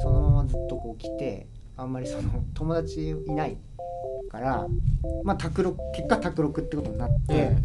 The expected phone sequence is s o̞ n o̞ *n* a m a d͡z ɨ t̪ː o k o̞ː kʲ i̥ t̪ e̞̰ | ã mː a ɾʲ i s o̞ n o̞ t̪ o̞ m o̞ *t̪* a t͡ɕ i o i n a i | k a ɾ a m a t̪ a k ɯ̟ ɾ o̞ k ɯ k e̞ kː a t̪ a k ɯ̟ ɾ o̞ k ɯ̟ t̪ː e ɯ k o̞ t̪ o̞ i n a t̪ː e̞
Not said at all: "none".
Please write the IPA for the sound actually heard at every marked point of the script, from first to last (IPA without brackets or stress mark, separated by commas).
m, d̪